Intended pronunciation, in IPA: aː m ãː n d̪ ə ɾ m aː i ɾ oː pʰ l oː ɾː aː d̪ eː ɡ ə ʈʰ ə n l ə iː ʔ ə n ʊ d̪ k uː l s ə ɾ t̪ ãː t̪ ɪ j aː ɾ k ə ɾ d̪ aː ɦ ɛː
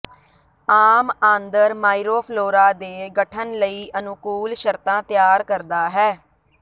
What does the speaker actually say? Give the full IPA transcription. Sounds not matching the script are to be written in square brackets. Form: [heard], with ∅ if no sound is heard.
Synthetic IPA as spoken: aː m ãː n d̪ ə ɾ m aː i ɾ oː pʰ l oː [ɾ] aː d̪ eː ɡ ə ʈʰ ə n l ə iː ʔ ə n ʊ [∅] k uː l [ʃ] ə ɾ t̪ ãː t̪ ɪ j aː ɾ k ə ɾ d̪ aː ɦ ɛː